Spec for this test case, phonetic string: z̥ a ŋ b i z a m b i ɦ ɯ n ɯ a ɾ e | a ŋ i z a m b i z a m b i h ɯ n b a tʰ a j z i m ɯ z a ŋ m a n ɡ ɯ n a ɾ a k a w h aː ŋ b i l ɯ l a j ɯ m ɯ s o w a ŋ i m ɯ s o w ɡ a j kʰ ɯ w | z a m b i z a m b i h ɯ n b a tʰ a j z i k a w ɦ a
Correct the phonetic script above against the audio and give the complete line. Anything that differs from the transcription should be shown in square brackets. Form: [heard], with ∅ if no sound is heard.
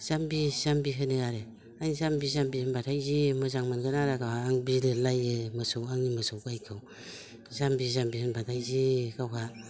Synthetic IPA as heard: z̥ a [m] b i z a m b i ɦ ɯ n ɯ a ɾ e | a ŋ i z a m b i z a m b i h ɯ n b a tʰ a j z i m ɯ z a ŋ m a n ɡ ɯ n a ɾ a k a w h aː ŋ b i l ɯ l a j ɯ m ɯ s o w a ŋ i m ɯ s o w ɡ a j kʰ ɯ w | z a m b i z a m b i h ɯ n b a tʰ a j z i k a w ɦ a